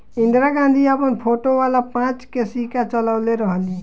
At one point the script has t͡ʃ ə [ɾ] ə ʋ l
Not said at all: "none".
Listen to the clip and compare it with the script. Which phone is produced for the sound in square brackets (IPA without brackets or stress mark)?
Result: l